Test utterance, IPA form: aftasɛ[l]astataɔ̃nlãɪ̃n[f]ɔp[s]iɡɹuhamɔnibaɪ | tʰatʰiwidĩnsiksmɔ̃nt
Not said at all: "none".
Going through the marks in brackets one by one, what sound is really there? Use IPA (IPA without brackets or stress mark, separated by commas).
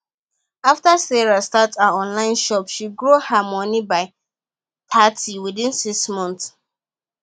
ɹ, ʃ, ʃ